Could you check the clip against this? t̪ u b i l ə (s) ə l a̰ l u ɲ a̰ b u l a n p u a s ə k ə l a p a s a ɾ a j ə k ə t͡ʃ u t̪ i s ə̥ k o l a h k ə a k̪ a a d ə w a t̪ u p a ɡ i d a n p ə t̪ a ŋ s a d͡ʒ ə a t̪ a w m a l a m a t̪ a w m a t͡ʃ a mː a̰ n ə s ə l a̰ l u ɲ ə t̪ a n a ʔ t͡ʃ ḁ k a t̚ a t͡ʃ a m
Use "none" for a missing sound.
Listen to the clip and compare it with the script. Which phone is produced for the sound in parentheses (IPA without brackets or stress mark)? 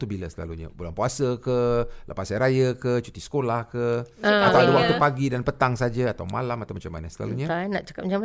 s